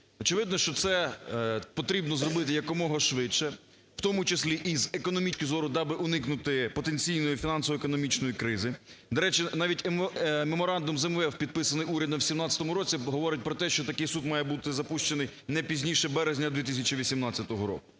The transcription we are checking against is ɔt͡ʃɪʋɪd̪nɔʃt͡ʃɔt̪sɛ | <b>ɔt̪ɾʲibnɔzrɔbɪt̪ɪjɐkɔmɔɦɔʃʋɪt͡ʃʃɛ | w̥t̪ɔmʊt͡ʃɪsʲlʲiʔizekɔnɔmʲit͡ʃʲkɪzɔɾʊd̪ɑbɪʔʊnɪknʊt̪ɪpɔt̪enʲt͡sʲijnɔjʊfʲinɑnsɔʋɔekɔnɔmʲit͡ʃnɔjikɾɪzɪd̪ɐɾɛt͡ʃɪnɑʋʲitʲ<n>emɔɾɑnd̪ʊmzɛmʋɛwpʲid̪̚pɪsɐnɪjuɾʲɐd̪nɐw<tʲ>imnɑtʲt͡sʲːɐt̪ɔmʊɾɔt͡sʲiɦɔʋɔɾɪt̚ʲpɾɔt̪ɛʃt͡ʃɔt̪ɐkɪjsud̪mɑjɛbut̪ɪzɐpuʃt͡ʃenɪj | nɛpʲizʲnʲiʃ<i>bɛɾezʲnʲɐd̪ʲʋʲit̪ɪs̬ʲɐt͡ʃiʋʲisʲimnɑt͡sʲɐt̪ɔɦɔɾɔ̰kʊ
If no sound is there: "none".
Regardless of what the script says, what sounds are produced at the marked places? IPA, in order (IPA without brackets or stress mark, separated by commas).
p, m, sʲ, ɛ